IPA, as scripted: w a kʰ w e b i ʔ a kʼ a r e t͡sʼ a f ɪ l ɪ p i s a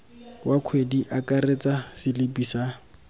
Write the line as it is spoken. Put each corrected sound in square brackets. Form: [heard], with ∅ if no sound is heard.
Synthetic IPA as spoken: w a kʰ w e [d] i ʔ a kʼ a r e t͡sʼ a [s] ɪ l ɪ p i s a